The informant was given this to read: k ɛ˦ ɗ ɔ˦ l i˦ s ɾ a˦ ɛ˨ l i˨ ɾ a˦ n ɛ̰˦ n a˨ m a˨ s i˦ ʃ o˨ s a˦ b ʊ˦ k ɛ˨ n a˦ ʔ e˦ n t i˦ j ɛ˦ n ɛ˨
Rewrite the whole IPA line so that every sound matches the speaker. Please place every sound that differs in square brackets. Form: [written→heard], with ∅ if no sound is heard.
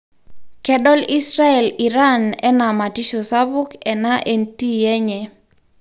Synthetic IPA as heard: k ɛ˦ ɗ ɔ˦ l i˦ s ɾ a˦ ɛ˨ l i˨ ɾ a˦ n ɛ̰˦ n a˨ m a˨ [s→t] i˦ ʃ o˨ s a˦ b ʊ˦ k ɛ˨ n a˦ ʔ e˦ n t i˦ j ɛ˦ [n→ɲ] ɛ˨